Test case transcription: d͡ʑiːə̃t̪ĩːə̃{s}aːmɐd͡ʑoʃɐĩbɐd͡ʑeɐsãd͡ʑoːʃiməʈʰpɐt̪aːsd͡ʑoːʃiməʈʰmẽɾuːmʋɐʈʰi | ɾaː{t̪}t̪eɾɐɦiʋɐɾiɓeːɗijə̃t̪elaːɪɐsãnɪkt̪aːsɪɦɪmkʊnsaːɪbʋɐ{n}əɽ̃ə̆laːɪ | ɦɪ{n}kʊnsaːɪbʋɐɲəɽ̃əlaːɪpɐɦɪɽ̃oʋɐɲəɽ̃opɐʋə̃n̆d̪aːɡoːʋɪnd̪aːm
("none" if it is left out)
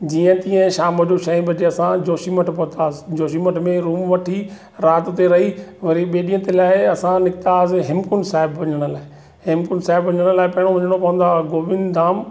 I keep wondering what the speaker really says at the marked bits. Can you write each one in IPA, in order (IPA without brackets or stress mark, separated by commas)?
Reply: ʃ, t̪, ɲ, m